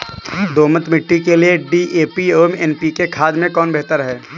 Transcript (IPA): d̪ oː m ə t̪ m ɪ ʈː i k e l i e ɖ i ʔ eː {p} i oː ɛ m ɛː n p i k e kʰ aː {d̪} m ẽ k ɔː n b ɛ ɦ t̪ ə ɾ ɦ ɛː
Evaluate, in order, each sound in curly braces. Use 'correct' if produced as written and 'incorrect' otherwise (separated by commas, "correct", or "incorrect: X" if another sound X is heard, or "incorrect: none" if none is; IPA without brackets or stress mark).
correct, correct